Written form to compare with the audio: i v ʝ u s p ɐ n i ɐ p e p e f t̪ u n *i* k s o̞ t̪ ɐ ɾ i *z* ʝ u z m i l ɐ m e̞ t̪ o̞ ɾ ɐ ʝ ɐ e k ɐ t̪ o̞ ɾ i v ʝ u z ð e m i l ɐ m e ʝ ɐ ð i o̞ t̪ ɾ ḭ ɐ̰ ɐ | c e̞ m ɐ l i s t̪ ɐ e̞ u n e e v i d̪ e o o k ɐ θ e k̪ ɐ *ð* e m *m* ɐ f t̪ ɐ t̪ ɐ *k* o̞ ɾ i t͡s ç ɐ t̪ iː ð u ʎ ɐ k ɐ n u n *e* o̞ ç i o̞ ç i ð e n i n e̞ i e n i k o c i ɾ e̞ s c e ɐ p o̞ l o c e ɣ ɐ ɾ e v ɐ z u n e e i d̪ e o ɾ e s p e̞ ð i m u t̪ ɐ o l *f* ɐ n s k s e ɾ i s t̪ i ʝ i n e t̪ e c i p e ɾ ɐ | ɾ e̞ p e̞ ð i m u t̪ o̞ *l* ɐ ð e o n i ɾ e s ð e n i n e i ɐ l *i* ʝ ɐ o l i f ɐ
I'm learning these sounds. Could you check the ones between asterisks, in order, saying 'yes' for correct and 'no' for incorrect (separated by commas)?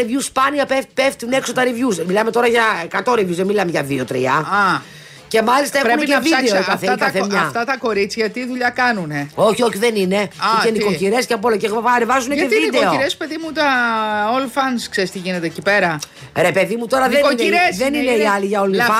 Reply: no, no, no, no, yes, yes, yes, no, yes